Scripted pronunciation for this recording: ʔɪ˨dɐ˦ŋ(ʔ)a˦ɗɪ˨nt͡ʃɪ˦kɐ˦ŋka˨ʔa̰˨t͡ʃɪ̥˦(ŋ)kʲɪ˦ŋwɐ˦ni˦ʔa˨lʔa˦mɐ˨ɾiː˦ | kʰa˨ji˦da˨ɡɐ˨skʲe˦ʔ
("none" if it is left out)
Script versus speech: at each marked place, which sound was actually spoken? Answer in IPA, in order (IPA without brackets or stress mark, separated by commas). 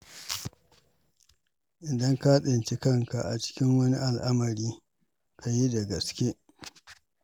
k, none